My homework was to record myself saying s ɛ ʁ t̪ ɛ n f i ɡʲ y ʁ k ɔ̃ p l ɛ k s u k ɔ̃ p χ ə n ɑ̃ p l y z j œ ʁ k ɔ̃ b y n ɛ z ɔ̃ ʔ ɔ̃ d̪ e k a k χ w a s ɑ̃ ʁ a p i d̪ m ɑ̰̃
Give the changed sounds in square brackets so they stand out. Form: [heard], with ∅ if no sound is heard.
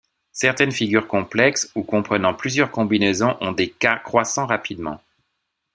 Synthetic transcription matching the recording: s ɛ ʁ t̪ ɛ n f i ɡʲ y ʁ k ɔ̃ p l ɛ k s u k ɔ̃ p χ ə n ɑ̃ p l y z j œ ʁ k ɔ̃ b [i] n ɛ z ɔ̃ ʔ ɔ̃ d̪ e k a k χ w a s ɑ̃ ʁ a p i d̪ m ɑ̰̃